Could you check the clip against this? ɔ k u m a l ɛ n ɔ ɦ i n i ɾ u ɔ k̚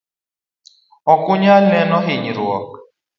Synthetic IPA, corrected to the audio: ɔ k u ɲ a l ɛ n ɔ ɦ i ɲ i ɾ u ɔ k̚

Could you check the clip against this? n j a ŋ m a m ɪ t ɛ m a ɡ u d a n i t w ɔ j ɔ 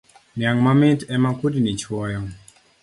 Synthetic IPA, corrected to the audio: n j a ŋ m a m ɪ t ɛ m a k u d i n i t͡ʃ w ɔ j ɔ

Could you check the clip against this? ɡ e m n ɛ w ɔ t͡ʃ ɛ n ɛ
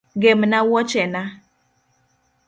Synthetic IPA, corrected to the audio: ɡ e m n a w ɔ t͡ʃ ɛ n a

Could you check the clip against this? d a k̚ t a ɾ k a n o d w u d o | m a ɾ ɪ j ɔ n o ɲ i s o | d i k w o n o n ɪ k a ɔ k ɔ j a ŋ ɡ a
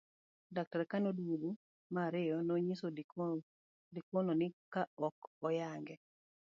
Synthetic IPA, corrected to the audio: d a k̚ t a ɾ k a n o d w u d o | m a ɾ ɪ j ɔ n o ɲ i s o | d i k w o n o n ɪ k a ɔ k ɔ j a ŋ ɡ ɛ

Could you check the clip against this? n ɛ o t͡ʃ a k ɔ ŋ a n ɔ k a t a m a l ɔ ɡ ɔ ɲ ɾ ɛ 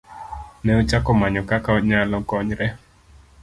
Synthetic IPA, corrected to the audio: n ɛ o t͡ʃ a k ɔ m a ɲ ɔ k a k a ɲ a l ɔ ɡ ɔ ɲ ɾ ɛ

